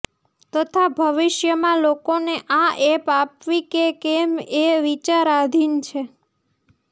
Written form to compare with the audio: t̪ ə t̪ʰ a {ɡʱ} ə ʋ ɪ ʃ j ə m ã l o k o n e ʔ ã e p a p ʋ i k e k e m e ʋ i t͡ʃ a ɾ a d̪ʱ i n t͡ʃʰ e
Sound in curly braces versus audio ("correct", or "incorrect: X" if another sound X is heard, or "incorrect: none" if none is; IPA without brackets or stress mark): incorrect: bʱ